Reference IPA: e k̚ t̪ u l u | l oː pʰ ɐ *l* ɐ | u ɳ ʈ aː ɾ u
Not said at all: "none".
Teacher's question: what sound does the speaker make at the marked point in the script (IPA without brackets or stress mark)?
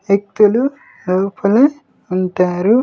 l